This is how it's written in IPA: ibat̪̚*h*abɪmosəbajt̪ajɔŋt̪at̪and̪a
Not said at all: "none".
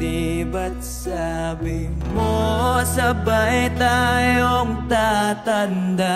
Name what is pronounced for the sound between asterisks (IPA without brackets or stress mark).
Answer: s